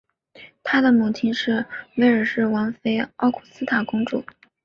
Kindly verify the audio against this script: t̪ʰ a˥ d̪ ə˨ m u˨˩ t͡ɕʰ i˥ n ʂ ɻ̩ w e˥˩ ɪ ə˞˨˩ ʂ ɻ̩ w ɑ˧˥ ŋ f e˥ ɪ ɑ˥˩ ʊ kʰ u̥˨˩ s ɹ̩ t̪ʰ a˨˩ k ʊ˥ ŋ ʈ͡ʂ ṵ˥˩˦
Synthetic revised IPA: t̪ʰ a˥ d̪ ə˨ m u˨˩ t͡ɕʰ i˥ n ʂ ɻ̩ w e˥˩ ɪ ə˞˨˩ ʂ ɻ̩ w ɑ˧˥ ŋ f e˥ ɪ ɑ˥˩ ʊ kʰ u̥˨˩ s ɹ̩ t̪ʰ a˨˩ k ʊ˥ ŋ ʈ͡ʂ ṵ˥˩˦